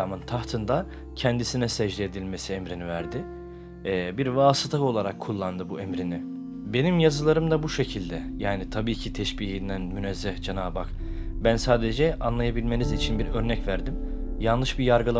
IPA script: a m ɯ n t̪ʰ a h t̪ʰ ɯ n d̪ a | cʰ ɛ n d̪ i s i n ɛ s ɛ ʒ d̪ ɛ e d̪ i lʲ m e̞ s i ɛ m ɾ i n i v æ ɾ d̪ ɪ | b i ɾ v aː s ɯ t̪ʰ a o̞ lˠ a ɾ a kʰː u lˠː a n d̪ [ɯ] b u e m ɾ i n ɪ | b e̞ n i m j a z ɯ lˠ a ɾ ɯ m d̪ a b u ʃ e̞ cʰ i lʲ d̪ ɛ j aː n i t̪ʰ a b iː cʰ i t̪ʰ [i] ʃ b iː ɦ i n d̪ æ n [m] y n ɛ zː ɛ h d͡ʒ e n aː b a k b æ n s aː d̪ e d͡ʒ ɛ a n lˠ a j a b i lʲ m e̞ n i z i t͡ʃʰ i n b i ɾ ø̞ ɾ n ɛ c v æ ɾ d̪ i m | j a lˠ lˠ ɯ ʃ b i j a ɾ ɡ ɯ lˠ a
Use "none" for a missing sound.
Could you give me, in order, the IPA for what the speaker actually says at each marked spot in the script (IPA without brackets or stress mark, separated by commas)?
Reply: ɯ, ɛ, m